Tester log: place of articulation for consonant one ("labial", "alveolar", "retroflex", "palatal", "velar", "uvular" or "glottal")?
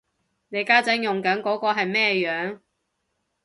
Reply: alveolar